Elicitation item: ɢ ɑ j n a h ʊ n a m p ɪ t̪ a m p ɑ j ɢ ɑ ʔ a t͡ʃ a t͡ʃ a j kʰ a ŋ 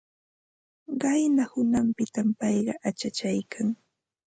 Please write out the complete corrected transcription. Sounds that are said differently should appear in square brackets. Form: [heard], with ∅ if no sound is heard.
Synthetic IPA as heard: ɢ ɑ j n a h ʊ n a m p ɪ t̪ a m p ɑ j ɢ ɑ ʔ a t͡ʃ a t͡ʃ a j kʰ a ŋ